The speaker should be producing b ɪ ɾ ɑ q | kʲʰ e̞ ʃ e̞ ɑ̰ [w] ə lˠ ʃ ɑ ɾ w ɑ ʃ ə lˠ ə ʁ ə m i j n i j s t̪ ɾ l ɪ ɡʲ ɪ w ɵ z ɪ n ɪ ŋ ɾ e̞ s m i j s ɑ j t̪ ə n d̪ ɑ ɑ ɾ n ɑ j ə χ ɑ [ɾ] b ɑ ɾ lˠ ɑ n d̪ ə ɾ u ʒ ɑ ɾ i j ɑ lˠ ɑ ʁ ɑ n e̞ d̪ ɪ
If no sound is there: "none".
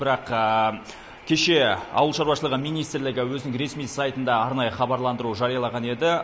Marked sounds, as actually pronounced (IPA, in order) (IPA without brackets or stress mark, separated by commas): w, none